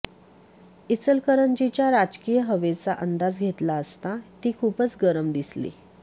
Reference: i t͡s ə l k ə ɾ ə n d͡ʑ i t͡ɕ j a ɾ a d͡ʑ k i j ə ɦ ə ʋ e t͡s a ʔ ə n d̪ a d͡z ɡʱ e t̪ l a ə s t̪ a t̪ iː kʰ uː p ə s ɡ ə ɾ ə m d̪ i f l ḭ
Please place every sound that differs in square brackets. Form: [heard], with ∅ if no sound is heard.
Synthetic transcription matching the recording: i t͡s ə l k ə ɾ ə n d͡ʑ i t͡ɕ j a ɾ a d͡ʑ k i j ə ɦ ə ʋ e t͡s a ʔ ə n d̪ a d͡z ɡʱ e t̪ l a ə s t̪ a t̪ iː kʰ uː p ə [t͡s] ɡ ə ɾ ə m d̪ i [s] l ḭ